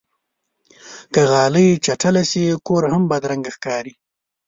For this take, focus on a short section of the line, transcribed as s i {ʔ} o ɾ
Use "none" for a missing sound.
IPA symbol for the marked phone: k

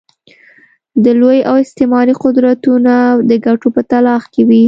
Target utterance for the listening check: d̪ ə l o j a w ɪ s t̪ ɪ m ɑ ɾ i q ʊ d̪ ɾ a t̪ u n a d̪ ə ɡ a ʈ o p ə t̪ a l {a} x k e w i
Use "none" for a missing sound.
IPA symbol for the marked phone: ɑ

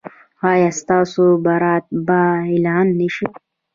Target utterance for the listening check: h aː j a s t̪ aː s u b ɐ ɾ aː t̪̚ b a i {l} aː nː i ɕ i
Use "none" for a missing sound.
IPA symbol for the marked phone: l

